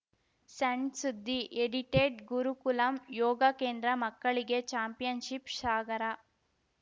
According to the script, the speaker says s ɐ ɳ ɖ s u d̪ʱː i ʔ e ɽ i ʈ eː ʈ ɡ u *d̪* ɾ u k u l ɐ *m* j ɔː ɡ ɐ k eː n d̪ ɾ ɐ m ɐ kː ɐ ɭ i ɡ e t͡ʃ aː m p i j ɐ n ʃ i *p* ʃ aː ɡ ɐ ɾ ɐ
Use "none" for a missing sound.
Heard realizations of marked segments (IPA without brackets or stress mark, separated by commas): none, m, p